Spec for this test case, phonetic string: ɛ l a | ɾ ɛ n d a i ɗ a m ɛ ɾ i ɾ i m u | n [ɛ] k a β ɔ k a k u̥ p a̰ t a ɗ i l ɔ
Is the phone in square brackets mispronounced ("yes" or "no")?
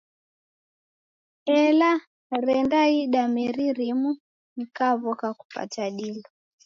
yes